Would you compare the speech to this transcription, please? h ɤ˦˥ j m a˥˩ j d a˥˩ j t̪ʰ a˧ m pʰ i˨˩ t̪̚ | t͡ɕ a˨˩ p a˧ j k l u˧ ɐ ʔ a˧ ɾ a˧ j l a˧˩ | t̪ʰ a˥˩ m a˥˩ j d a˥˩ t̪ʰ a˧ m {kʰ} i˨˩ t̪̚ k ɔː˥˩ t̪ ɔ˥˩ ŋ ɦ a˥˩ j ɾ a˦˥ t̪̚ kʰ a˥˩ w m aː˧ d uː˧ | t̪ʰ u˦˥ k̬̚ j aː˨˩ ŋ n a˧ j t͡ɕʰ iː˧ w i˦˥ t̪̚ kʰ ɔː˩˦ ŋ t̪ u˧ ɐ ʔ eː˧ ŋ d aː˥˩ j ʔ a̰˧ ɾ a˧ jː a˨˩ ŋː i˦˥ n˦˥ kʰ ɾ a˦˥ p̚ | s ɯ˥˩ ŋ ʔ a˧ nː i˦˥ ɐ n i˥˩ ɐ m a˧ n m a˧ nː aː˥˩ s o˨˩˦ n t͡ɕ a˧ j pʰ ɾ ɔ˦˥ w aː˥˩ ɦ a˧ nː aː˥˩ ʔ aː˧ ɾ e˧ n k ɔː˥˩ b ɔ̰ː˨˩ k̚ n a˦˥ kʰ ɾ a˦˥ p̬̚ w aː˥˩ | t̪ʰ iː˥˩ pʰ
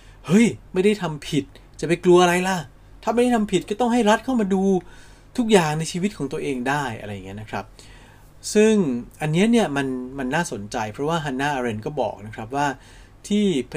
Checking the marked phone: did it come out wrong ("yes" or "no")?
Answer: yes